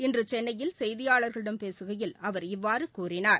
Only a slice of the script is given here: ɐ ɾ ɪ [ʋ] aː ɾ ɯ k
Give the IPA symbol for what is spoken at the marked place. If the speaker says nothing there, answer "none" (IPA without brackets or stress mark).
ʋː